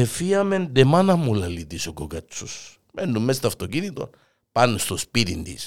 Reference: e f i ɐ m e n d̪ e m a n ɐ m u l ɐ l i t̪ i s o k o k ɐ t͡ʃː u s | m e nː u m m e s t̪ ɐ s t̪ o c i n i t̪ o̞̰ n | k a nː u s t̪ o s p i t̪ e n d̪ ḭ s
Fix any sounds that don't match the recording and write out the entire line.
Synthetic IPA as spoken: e f i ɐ m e n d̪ e m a n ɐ m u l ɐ l i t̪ i s o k o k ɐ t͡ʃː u s | m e nː u m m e s t̪ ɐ f t̪ o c i n i t̪ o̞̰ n | p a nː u s t̪ o s p i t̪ i n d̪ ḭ s